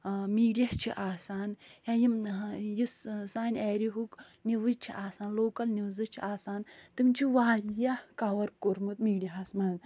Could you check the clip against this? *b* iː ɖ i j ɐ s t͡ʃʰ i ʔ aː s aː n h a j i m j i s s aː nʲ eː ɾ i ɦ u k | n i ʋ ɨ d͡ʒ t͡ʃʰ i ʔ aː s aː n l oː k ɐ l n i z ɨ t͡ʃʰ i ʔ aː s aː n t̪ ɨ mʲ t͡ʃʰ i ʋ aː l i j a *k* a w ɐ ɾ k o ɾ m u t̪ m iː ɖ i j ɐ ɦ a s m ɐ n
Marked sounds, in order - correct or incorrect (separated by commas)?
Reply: incorrect, correct